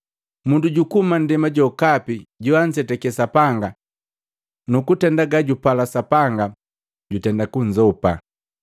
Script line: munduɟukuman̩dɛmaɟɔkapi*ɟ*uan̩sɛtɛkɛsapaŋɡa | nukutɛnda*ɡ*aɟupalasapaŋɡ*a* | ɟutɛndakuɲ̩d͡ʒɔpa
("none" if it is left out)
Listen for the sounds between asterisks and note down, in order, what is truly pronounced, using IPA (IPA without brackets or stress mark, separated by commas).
ɟ, ɡ, a